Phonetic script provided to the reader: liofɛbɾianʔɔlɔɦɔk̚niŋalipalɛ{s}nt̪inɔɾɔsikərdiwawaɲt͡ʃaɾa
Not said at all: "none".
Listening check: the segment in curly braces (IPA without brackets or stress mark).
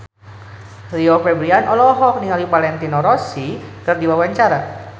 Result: none